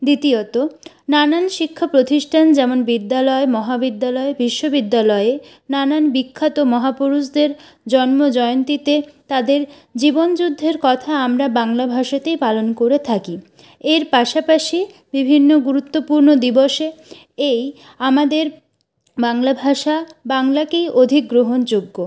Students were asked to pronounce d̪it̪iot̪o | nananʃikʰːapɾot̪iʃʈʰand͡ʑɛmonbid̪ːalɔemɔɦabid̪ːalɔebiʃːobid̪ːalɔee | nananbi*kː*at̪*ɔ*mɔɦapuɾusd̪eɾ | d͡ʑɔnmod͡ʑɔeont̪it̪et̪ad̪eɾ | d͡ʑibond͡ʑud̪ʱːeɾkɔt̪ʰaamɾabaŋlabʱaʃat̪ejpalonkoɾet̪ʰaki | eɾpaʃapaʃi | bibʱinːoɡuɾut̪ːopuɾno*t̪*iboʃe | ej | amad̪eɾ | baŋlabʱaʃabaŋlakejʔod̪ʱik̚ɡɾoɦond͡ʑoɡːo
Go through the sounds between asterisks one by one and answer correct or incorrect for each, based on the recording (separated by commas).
incorrect, incorrect, incorrect